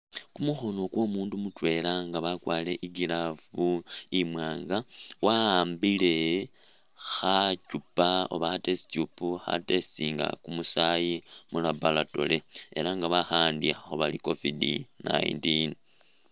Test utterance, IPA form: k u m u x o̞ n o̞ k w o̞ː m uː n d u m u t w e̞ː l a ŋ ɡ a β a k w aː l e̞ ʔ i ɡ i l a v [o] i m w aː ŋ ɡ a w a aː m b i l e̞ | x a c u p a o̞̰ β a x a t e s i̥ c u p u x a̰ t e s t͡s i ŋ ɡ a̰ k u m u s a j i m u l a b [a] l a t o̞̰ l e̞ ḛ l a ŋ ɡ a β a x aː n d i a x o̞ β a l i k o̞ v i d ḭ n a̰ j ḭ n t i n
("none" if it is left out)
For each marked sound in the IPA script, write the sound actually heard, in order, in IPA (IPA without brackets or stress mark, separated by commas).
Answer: u, a